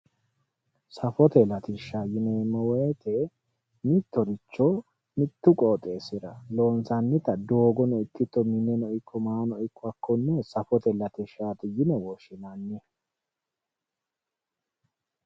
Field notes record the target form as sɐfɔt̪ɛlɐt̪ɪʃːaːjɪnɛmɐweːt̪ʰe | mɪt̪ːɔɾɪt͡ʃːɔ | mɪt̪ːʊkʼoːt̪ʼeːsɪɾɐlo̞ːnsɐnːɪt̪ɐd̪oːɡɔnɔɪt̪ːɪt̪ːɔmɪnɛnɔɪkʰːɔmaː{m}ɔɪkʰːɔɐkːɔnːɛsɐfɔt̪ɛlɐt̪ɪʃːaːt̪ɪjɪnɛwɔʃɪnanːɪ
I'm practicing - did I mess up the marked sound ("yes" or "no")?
yes